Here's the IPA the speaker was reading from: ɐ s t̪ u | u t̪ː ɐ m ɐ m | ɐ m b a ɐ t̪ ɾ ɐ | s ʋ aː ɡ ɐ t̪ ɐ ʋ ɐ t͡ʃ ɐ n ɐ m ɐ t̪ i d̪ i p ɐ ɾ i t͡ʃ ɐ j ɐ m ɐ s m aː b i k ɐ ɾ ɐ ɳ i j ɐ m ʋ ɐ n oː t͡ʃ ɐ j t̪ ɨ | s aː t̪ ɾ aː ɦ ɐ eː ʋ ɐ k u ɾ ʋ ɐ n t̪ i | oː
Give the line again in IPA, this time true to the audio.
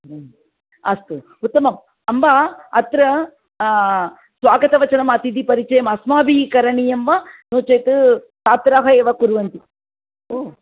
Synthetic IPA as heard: ɐ s t̪ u | u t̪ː ɐ m ɐ m | ɐ m b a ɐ t̪ ɾ ɐ | s ʋ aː ɡ ɐ t̪ ɐ ʋ ɐ t͡ʃ ɐ n ɐ m ɐ t̪ i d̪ i p ɐ ɾ i t͡ʃ ɐ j ɐ m ɐ s m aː b i k ɐ ɾ ɐ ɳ i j ɐ m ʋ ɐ n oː t͡ʃ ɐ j t̪ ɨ | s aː t̪ ɾ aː ɦ ɐ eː ʋ ɐ k u ɾ ʋ ɐ n t̪ i | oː